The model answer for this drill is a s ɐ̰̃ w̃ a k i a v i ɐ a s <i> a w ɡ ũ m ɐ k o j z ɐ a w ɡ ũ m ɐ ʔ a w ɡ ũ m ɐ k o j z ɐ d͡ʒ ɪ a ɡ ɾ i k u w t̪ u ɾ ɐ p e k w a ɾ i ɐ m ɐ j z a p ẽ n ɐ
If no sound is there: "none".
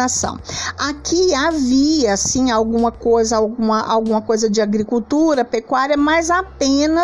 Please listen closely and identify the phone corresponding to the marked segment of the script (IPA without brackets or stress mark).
ĩ